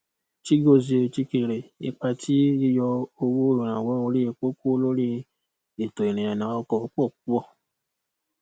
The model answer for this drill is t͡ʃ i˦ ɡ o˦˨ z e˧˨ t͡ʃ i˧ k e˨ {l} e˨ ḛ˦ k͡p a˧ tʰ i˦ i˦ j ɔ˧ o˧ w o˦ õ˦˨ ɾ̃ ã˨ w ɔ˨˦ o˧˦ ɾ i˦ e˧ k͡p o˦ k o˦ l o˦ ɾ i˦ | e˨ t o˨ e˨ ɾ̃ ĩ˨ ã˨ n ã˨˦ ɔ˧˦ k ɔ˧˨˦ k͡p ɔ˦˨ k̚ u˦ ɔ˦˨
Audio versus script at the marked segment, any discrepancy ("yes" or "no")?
yes